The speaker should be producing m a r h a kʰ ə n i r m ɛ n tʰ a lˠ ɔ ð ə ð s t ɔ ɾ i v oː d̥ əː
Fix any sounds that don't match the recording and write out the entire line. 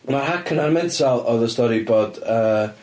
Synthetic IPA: m a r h a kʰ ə n a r m ɛ n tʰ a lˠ ɔ ð ə s t ɔ ɾ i b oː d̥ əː